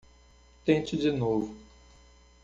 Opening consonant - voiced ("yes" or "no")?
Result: no